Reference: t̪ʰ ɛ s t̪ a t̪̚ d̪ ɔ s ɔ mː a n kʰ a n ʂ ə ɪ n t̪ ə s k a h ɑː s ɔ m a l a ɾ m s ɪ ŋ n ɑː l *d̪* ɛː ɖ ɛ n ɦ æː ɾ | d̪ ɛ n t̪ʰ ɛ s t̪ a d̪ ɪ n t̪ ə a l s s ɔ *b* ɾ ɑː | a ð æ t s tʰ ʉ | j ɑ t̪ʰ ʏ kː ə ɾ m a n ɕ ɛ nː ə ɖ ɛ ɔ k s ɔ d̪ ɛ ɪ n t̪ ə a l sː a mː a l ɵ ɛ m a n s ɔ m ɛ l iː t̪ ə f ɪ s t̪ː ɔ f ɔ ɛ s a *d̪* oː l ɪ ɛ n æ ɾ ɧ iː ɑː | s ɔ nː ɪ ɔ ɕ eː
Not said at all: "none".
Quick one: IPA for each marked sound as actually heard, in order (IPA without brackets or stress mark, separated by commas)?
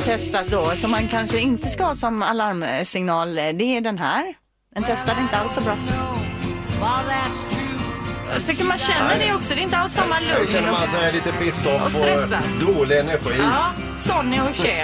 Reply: d̪, b, d̪